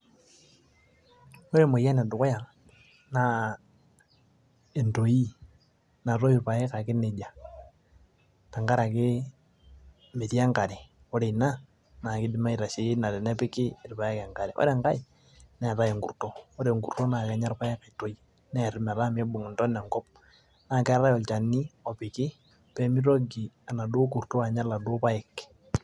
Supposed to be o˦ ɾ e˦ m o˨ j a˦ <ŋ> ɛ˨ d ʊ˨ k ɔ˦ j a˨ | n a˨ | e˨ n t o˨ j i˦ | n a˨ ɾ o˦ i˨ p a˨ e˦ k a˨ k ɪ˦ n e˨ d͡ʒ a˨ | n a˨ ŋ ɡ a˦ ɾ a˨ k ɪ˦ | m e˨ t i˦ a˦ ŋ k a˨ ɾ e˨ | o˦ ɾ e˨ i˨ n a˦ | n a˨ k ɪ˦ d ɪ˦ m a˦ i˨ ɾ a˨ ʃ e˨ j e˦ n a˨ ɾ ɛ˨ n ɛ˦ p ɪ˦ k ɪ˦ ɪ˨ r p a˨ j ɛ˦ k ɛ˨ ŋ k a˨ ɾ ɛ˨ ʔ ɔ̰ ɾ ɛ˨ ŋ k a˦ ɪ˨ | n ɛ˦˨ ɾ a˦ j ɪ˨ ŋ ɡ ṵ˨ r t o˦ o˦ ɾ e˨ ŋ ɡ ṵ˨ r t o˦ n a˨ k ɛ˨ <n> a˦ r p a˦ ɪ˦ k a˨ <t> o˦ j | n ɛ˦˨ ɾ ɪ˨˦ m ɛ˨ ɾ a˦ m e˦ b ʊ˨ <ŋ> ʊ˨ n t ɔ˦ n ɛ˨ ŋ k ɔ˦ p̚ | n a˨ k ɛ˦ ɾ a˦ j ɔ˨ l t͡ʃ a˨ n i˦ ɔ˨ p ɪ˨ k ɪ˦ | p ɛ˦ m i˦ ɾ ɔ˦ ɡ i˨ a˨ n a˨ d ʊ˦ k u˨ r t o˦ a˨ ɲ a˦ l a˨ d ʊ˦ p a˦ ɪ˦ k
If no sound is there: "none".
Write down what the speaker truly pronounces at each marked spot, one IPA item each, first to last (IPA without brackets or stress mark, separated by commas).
n, ɲ, t, ŋ